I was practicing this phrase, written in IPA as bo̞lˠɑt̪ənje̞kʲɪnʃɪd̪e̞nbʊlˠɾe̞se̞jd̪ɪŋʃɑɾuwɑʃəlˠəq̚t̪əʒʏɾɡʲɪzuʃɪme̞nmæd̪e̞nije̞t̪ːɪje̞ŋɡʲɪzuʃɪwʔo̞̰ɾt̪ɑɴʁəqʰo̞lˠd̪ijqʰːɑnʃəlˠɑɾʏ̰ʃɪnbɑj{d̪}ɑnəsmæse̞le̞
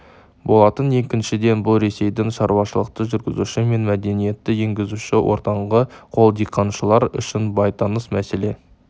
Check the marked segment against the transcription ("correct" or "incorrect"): incorrect